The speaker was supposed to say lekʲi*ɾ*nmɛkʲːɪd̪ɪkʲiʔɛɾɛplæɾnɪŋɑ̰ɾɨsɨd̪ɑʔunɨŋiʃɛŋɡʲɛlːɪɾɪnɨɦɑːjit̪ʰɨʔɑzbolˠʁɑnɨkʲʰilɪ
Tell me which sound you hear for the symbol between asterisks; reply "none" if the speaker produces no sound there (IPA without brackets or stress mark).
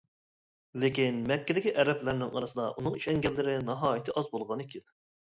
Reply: none